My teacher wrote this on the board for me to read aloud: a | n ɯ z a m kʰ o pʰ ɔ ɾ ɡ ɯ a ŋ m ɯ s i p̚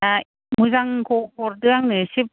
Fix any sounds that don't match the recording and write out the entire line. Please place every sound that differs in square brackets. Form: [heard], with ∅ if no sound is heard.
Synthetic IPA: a | [m] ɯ z a [ŋ] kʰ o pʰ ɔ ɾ [d] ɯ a ŋ [n] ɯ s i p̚